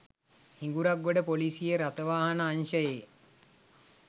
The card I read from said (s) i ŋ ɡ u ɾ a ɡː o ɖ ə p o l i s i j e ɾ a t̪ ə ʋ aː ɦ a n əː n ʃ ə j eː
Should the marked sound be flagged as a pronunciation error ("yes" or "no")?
yes